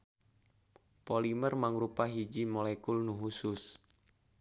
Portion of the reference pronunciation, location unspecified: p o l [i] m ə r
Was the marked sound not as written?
no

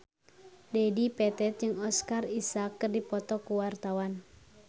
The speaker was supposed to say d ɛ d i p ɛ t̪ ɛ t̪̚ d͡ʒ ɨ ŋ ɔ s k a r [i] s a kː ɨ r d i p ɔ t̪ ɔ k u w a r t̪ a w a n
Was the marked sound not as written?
no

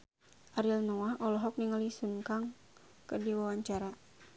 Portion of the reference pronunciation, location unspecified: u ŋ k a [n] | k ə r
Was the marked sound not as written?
yes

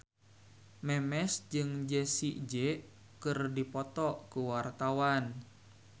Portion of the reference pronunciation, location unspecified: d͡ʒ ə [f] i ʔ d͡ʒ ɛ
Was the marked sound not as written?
yes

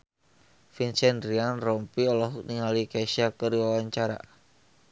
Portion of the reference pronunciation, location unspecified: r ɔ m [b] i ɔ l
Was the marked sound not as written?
yes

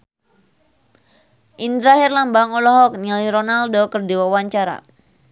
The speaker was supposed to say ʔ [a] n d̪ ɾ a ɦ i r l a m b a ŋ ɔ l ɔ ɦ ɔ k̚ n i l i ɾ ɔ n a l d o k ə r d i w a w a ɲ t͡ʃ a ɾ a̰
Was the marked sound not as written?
yes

